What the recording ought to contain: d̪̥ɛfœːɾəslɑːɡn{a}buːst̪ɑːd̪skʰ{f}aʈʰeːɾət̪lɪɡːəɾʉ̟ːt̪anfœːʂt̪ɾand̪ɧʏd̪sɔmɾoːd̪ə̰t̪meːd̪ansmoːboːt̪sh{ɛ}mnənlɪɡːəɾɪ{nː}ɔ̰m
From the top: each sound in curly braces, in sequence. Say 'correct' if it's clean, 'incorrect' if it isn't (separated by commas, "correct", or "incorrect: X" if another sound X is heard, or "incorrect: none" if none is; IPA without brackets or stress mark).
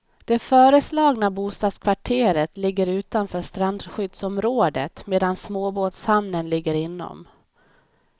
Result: correct, incorrect: v, incorrect: a, correct